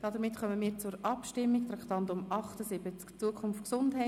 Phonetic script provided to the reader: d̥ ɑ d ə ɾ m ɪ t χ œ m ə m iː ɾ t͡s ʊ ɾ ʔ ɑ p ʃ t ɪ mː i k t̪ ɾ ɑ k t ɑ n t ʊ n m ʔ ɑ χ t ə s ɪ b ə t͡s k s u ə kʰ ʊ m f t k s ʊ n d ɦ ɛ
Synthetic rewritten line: d̥ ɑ d ə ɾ m ɪ t χ œ m ə m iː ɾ t͡s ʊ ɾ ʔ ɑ p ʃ t ɪ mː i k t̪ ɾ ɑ k t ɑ n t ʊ m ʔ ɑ χ t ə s ɪ b ə t͡s k t͡s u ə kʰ ʊ n f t k s ʊ n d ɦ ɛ